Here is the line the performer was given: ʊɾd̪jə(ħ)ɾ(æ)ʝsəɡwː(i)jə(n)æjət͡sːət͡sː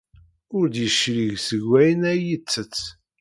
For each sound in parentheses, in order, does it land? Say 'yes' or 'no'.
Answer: no, no, no, yes

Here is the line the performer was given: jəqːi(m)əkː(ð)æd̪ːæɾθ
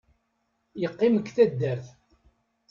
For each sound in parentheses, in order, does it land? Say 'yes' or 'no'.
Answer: yes, no

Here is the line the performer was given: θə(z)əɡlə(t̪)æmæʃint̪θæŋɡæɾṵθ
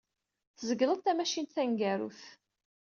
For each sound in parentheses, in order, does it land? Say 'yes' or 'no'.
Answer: yes, yes

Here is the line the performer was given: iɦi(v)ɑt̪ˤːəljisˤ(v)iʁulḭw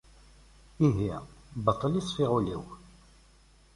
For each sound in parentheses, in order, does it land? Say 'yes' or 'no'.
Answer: no, no

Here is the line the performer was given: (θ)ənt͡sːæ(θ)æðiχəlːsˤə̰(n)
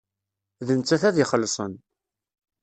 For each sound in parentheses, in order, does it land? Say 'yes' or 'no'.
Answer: no, yes, yes

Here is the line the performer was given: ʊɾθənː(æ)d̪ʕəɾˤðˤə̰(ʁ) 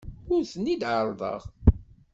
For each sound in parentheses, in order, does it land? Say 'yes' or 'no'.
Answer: no, yes

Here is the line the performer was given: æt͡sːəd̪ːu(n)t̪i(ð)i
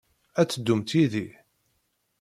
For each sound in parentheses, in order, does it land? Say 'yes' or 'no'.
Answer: no, yes

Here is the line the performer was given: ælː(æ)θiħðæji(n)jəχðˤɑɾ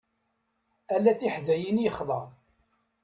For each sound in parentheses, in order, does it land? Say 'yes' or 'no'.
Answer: yes, yes

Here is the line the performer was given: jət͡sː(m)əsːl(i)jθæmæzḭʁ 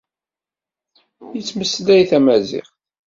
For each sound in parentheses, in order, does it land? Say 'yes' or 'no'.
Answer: yes, no

